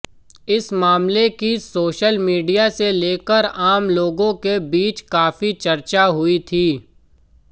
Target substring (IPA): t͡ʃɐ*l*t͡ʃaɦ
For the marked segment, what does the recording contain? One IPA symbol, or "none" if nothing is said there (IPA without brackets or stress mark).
ɾ